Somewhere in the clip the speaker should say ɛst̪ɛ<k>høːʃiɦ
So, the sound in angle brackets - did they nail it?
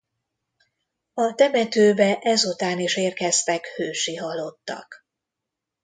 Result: yes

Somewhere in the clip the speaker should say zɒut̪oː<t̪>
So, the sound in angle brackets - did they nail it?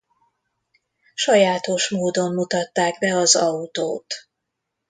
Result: yes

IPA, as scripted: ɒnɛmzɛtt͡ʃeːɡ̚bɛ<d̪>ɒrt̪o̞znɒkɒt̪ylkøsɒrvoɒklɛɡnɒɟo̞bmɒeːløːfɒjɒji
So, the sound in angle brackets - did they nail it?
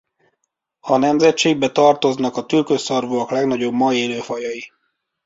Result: no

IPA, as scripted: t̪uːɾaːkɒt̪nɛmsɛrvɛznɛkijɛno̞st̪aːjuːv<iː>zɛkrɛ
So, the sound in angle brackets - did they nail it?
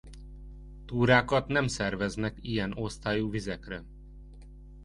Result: no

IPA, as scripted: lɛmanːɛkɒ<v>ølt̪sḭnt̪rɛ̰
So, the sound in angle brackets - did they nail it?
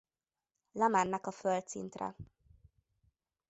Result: no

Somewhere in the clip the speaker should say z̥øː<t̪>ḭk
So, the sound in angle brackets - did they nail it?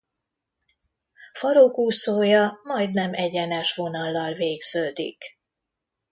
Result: no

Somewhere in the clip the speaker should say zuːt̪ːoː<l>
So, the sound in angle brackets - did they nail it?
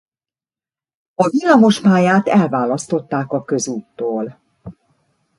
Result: yes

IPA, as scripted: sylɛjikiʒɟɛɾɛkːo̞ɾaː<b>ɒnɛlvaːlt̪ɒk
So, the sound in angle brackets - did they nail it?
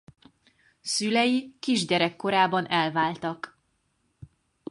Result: yes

